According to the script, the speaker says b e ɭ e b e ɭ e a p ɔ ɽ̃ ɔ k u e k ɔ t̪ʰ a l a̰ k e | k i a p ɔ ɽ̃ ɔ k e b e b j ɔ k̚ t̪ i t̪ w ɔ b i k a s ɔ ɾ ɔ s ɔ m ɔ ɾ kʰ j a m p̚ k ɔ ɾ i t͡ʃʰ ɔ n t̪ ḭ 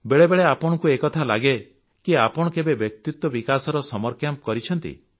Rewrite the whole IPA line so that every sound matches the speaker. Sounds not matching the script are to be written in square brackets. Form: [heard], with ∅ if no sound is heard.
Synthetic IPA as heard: b e ɭ e b e ɭ e a p ɔ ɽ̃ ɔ k u e k ɔ t̪ʰ a l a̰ [ɡ] e | k i a p ɔ ɽ̃ ɔ k e b e b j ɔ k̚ t̪ i t̪ w ɔ b i k a s ɔ ɾ ɔ s ɔ m ɔ ɾ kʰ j a m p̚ k ɔ ɾ i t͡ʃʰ ɔ n t̪ ḭ